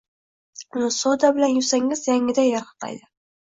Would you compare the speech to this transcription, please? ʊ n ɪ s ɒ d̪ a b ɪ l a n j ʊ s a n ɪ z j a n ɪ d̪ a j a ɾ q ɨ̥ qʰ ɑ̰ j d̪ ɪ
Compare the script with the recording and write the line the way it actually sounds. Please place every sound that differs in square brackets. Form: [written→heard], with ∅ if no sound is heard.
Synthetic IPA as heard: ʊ n ɪ s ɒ d̪ a b ɪ l a n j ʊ s a [n→ŋ] ɪ z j a [n→ŋ] ɪ d̪ a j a ɾ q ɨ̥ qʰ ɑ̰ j d̪ ɪ